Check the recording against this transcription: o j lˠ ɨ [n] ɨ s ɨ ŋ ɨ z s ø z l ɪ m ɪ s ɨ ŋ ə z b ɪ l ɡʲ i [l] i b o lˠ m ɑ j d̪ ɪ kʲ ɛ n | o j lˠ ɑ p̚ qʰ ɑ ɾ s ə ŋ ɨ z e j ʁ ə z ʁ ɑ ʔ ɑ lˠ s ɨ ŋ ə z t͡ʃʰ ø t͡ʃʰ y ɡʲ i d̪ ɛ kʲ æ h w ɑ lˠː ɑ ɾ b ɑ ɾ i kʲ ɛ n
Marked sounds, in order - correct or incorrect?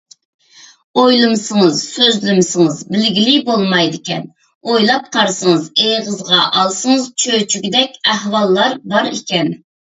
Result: incorrect, correct

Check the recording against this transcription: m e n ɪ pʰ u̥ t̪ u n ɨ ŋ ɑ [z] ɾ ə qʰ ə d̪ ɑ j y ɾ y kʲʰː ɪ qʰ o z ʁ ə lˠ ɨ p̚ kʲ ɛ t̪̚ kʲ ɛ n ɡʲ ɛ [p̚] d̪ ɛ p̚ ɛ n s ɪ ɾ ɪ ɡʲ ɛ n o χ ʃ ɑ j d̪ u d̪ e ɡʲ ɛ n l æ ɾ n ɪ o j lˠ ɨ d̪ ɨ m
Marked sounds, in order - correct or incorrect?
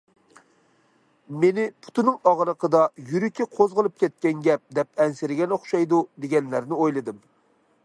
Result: incorrect, correct

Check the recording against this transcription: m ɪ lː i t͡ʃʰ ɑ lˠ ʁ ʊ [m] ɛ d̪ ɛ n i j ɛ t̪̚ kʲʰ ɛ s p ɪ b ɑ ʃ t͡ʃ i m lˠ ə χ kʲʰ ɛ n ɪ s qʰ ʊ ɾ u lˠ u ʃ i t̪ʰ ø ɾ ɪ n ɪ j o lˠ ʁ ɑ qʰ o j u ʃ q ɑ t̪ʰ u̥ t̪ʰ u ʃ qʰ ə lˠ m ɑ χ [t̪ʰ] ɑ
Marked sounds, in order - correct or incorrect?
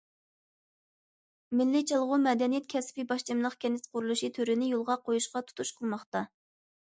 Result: correct, incorrect

